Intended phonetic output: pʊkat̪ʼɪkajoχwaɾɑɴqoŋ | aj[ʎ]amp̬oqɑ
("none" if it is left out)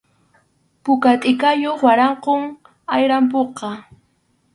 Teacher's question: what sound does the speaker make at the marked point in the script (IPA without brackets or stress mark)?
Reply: ɾ